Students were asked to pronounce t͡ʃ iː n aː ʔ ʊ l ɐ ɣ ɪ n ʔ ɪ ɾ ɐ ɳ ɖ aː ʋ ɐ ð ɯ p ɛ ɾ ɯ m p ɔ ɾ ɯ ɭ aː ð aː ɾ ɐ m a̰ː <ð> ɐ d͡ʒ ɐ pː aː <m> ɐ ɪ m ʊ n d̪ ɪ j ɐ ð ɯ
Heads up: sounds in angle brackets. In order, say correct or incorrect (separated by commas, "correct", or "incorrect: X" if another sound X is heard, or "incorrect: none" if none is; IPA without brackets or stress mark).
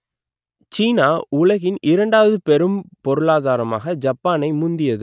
incorrect: ɣ, incorrect: n